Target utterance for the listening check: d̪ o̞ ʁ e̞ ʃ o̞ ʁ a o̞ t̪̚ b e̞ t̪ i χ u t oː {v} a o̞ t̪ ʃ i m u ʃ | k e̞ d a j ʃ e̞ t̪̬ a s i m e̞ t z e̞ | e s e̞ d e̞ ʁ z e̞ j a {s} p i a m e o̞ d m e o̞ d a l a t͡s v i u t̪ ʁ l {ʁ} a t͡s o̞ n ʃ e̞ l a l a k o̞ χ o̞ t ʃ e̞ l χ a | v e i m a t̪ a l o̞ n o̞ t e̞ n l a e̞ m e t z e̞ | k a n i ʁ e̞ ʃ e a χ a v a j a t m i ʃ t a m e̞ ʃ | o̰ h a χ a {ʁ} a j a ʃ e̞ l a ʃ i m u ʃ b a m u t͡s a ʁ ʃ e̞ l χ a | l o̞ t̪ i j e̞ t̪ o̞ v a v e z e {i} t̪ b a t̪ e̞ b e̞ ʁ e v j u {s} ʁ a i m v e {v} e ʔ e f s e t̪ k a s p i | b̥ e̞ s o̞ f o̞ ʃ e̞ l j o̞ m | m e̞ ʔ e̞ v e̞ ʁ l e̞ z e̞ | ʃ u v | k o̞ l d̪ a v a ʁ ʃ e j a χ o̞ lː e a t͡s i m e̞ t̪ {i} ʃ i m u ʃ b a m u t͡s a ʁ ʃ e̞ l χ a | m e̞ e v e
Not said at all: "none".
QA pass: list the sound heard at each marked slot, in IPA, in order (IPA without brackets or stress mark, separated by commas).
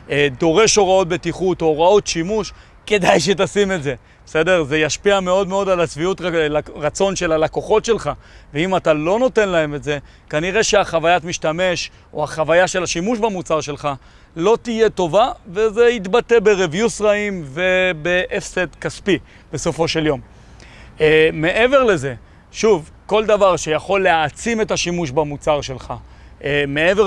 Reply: ʁ, ʃ, ʁ, v, i, s, b, a